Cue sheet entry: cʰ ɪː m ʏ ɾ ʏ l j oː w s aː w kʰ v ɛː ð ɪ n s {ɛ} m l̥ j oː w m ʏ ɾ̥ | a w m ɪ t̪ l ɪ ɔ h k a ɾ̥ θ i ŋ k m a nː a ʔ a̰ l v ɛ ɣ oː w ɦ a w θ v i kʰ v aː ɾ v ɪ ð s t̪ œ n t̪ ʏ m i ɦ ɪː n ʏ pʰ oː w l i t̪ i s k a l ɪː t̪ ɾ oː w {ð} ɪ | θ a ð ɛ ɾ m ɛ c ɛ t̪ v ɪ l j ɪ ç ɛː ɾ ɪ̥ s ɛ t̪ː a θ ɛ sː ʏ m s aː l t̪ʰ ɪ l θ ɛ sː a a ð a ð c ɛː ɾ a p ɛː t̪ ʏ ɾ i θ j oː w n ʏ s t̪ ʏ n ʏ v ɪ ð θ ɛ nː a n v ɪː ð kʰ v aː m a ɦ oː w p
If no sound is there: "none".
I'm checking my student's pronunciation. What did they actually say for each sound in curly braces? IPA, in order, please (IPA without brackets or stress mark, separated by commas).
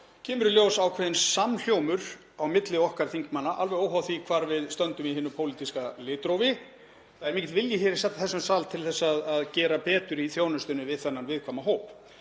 a, v